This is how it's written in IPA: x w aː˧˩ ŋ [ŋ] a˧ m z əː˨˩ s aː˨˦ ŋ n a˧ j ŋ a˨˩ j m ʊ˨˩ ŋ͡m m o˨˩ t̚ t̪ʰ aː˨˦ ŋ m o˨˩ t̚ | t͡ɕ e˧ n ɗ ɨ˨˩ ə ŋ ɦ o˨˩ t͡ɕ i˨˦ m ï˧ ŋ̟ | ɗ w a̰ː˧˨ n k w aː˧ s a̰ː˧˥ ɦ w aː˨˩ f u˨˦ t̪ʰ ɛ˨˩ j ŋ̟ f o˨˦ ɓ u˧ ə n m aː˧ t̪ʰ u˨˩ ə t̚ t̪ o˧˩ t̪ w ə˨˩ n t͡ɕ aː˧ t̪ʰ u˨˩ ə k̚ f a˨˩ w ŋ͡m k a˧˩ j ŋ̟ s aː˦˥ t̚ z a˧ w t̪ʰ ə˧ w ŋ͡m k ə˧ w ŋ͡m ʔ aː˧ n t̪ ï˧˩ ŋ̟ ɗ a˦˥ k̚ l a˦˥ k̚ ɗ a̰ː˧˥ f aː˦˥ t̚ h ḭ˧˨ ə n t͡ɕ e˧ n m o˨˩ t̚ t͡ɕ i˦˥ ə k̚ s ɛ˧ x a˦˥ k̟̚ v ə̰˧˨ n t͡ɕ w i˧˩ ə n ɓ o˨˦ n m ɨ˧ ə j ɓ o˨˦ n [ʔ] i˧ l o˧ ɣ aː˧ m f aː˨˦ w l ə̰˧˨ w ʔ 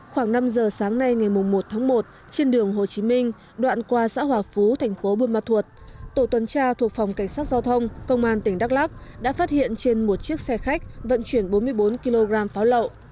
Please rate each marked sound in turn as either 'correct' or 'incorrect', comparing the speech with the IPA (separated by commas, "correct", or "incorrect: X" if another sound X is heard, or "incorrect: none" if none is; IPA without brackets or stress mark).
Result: incorrect: n, incorrect: k